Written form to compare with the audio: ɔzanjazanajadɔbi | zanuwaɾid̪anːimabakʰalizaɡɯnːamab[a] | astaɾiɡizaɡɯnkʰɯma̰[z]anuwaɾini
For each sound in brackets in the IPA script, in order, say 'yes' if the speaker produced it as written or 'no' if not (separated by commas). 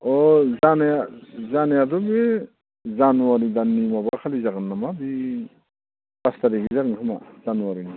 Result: no, yes